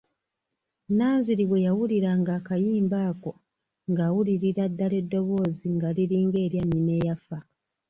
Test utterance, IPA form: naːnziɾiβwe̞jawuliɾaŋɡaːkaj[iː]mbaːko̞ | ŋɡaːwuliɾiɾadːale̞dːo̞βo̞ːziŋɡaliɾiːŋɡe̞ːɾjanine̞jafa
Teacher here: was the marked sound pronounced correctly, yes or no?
yes